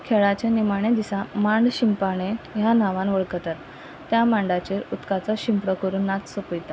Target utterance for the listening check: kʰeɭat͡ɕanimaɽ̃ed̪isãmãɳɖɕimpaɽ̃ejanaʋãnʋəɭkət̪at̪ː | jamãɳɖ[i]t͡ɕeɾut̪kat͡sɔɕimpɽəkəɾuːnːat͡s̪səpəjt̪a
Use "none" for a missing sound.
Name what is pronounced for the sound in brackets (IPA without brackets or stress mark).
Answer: a